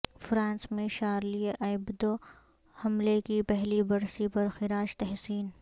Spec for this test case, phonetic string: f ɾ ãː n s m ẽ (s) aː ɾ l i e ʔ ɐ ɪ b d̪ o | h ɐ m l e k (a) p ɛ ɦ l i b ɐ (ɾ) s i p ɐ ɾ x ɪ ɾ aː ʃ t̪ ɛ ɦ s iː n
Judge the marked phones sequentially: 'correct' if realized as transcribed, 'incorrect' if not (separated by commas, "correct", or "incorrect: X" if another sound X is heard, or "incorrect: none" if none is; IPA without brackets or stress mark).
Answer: incorrect: ʃ, incorrect: i, correct